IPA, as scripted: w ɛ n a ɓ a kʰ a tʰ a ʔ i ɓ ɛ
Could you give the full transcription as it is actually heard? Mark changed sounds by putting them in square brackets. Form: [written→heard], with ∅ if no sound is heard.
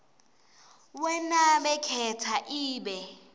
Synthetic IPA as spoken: w ɛ n a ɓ [a→ɛ] kʰ [a→ɛ] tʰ a ʔ [i→iː] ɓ ɛ

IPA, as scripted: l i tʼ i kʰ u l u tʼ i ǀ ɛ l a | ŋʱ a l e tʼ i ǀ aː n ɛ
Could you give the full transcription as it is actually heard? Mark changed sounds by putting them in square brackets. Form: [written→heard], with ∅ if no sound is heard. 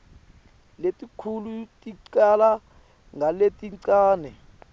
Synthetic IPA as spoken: l [i→e] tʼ i kʰ u l u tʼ i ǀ [ɛ→a] l a | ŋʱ a l e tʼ i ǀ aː n ɛ

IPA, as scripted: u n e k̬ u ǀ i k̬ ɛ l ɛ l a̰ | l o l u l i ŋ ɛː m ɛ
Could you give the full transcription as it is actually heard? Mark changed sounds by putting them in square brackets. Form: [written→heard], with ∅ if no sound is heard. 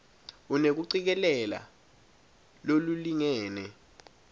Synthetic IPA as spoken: u n e k̬ u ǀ i k̬ ɛ l ɛ l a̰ | l o l u l i ŋ ɛː [m→n] ɛ

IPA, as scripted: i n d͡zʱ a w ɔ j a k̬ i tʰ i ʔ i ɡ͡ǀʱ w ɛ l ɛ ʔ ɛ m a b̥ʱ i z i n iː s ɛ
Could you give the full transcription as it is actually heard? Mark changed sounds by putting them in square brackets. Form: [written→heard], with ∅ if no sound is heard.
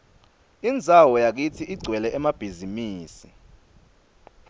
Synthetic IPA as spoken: i n d͡zʱ a w ɔ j a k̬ i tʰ i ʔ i ɡ͡ǀʱ w ɛ l ɛ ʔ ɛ m a b̥ʱ i z i [n→m] iː s [ɛ→i]

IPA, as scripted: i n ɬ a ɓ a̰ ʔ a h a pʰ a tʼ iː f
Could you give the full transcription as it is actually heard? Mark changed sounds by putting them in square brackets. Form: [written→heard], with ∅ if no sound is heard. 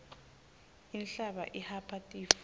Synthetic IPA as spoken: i n ɬ a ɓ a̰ ʔ [a→i] h a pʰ a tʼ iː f

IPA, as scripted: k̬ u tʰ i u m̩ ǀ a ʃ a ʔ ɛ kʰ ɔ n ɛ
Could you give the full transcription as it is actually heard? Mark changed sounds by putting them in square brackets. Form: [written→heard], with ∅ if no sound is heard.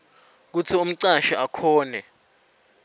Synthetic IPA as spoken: k̬ u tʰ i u m̩ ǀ a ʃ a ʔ [ɛ→a] kʰ [ɔ→ɔː] n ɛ

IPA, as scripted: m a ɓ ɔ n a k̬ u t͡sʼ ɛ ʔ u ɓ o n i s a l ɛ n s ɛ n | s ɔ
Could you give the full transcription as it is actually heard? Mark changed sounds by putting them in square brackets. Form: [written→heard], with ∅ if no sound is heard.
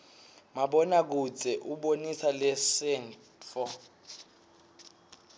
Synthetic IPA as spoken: m a ɓ ɔ n a k̬ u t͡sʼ ɛ ʔ u ɓ o n i s a l ɛ [n→∅] s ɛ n | [s→f] ɔ

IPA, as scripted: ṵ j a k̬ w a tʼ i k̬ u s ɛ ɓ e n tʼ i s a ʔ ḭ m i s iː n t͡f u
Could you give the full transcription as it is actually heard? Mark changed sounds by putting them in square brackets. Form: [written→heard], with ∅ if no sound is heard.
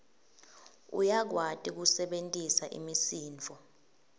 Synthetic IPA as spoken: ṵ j a k̬ w a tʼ i k̬ u s ɛ ɓ e n tʼ i s a ʔ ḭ m i s iː n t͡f [u→ɔ]

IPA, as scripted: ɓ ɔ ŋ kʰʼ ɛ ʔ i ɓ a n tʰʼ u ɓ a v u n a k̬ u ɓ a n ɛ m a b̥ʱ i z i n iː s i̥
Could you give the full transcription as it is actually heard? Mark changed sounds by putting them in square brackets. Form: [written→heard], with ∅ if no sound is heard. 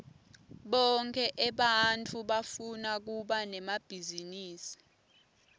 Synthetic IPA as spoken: ɓ ɔ ŋ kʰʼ ɛ ʔ [i→ɛ] ɓ a n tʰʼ u ɓ a [v→f] u n a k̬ u ɓ a n ɛ m a b̥ʱ i z i n iː s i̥

